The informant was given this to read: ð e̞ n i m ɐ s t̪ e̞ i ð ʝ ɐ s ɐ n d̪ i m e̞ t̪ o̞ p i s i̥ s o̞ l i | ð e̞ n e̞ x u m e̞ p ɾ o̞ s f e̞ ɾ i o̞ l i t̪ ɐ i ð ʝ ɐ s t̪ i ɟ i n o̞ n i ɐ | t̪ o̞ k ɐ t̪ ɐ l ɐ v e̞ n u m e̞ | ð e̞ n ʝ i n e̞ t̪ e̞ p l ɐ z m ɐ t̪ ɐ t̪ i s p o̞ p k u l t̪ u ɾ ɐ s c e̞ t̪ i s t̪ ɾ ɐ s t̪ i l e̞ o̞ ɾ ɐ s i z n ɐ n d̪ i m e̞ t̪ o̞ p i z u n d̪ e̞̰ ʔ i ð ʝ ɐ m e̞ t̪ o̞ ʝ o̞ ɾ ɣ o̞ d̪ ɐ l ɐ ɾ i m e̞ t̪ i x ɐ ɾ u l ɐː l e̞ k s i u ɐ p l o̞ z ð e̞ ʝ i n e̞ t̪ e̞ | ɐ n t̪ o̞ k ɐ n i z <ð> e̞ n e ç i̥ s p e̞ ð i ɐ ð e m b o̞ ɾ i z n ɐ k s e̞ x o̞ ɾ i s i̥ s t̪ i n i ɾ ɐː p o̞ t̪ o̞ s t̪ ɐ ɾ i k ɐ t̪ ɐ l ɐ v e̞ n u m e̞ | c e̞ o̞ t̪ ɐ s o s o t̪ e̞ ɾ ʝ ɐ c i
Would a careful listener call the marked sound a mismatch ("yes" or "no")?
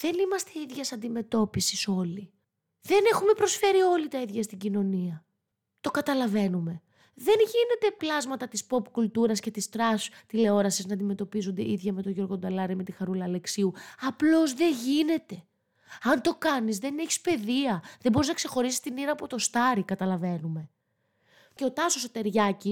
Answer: no